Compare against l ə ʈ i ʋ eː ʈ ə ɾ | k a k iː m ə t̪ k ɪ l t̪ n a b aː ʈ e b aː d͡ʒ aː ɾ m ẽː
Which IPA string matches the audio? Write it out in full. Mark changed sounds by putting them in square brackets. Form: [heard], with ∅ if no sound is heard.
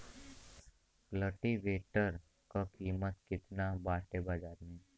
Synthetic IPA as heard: l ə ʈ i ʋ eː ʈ ə ɾ | k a k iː m ə t̪ k ɪ [∅] t̪ n a b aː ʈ e b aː d͡ʒ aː ɾ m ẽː